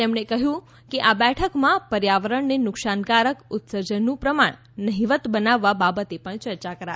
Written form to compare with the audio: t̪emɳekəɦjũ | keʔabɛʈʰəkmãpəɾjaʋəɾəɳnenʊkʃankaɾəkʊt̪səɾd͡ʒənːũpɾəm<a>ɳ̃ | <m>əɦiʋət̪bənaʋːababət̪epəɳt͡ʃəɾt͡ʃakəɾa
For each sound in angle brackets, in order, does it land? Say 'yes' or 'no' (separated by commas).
yes, no